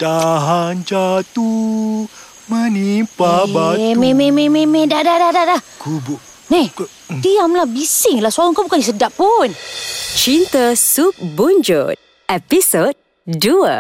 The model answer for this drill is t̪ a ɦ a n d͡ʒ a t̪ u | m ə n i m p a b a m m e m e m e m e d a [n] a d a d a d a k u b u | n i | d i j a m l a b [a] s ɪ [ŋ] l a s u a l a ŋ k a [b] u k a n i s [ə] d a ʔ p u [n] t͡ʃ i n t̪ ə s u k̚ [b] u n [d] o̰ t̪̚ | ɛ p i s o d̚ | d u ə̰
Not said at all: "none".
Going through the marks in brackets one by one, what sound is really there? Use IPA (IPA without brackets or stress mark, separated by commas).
d, i, ŋ, b, ə, n, b, d͡ʒ